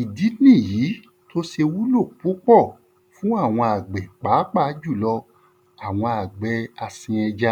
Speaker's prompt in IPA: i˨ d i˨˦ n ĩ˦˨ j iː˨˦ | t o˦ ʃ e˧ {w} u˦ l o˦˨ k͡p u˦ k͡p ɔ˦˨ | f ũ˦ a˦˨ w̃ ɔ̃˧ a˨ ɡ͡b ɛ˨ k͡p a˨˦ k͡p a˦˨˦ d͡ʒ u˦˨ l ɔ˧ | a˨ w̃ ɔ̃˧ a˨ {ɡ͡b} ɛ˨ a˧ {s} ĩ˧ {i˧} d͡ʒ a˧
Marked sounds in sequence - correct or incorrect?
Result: correct, correct, correct, incorrect

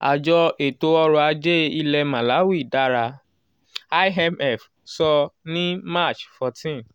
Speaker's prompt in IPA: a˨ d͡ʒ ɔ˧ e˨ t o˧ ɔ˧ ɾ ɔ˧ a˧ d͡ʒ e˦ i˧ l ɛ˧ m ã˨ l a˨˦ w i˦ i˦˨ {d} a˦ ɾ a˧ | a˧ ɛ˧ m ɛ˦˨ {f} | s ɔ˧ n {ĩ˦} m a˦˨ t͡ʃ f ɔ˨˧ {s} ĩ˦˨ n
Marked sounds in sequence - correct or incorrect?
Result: correct, correct, correct, incorrect

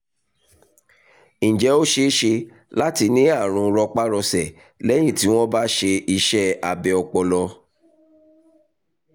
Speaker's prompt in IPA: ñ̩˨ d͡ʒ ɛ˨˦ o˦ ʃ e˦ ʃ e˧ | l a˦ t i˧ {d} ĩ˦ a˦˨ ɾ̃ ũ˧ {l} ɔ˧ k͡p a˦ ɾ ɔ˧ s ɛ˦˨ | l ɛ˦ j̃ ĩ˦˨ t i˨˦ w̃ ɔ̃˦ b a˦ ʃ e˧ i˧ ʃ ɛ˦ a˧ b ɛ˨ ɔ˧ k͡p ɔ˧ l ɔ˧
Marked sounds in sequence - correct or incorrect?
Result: incorrect, incorrect

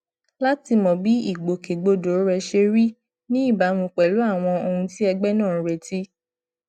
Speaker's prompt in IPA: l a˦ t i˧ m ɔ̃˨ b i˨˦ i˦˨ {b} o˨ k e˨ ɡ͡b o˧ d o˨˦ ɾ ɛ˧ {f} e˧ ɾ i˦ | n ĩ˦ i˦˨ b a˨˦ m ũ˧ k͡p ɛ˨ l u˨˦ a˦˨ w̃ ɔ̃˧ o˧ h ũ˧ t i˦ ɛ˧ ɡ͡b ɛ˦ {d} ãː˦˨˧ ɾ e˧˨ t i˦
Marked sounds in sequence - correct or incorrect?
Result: incorrect, incorrect, incorrect

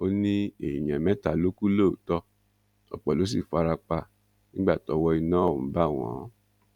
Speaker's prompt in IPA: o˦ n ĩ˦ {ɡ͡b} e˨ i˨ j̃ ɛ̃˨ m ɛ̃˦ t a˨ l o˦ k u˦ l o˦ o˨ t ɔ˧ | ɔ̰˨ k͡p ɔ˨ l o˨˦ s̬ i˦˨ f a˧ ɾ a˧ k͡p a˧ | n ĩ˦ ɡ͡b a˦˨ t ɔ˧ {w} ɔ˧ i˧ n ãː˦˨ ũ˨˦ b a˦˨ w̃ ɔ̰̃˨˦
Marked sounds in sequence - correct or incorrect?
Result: incorrect, correct

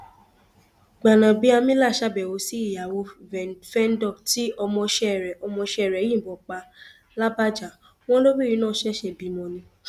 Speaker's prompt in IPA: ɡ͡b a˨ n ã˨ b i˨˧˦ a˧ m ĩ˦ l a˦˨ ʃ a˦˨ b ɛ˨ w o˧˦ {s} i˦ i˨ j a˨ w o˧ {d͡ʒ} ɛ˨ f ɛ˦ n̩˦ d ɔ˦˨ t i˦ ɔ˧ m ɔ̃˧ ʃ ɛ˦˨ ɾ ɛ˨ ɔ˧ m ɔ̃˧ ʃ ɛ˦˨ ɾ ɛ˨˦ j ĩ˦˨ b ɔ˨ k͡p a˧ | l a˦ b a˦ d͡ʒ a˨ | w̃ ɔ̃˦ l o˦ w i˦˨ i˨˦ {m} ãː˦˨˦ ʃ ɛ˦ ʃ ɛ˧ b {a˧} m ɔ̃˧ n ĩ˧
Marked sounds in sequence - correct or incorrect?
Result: correct, incorrect, incorrect, incorrect

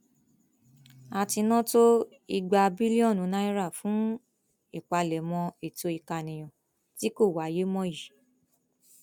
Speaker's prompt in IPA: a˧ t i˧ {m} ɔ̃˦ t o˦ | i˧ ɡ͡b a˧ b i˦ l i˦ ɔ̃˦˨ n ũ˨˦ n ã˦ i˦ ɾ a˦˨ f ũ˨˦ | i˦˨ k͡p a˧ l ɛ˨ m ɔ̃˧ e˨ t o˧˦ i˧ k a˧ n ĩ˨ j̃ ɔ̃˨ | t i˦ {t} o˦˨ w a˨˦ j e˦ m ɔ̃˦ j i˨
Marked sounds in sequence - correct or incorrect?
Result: incorrect, incorrect

